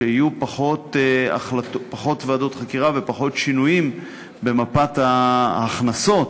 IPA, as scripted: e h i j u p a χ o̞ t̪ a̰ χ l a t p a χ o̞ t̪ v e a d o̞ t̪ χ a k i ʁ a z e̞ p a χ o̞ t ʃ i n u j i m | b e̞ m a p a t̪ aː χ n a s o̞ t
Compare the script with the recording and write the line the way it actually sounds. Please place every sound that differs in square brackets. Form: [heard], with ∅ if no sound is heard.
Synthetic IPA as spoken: e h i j u p a χ o̞ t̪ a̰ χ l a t p a χ o̞ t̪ v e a d o̞ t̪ χ a k i ʁ a [v] e̞ p a χ o̞ t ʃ i n u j i m | b e̞ m a p a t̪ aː χ n a s o̞ t